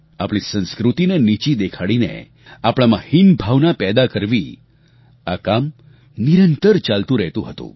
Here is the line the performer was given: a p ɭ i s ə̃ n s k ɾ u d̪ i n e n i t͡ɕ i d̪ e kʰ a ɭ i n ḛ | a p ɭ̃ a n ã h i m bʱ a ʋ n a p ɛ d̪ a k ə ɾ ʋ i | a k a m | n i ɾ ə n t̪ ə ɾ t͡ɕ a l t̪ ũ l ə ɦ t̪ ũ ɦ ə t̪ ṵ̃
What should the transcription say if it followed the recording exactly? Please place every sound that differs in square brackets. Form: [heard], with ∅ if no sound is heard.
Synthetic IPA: a p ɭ i s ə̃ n s k ɾ u [t̪] i n e n i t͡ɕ i d̪ e kʰ a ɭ i n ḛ | a p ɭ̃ a [m] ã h i [n] bʱ a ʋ n a p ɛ d̪ a k ə ɾ ʋ i | a k a m | n i ɾ ə n t̪ ə ɾ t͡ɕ a l t̪ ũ [ɾ] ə ɦ t̪ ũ ɦ ə t̪ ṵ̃